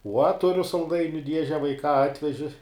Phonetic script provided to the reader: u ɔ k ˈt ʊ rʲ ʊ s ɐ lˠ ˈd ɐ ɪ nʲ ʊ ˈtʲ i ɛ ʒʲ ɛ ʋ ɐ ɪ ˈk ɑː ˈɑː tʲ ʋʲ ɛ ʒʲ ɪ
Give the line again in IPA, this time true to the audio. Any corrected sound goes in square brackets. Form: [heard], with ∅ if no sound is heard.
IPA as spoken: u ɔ [∅] ˈt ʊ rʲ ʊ s ɐ lˠ ˈd ɐ ɪ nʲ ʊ [ˈdʲ] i ɛ ʒʲ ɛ ʋ ɐ ɪ ˈk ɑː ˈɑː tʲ ʋʲ ɛ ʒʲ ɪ